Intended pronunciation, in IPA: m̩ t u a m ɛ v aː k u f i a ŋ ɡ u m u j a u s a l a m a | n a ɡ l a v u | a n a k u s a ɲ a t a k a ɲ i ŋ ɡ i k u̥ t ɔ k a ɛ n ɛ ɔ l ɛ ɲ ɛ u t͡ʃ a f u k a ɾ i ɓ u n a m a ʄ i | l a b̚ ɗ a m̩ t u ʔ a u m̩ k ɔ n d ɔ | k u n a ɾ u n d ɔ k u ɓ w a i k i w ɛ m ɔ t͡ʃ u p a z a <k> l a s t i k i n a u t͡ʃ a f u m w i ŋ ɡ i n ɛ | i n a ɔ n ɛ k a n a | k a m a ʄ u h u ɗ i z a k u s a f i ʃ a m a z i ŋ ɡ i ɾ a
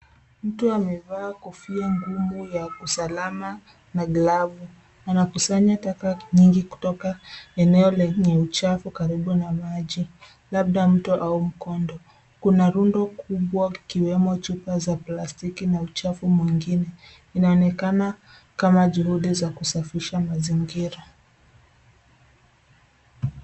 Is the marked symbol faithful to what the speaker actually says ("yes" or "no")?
no